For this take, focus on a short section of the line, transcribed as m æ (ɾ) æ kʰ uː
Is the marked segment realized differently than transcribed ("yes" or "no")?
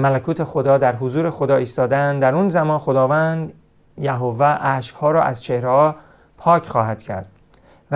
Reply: yes